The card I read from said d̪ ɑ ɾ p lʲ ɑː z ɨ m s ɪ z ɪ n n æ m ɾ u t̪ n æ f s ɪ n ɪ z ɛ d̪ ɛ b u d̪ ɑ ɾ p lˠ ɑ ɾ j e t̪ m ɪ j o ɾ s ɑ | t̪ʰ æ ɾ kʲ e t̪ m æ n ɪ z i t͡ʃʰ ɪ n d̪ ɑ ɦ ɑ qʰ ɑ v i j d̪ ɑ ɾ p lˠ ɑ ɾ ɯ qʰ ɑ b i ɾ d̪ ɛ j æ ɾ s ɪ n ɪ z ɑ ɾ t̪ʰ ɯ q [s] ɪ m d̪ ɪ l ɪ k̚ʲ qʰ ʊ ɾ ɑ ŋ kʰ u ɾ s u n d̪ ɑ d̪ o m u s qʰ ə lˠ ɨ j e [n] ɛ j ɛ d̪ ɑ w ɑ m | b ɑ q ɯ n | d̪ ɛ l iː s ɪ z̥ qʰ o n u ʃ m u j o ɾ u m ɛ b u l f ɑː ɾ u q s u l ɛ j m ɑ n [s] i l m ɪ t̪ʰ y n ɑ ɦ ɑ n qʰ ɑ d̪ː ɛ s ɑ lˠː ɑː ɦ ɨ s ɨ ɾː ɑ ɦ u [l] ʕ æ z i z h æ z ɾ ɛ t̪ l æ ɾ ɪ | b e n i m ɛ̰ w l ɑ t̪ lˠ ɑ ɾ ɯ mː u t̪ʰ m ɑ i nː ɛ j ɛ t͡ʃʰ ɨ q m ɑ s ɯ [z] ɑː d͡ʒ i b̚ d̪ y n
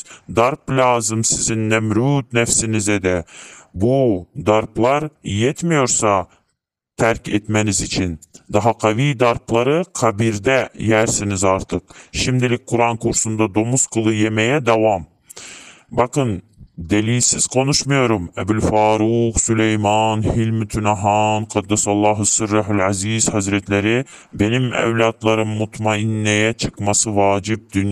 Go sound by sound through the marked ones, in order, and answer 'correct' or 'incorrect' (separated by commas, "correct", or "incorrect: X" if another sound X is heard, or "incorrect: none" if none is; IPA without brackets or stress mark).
incorrect: ʃ, incorrect: m, incorrect: h, correct, incorrect: v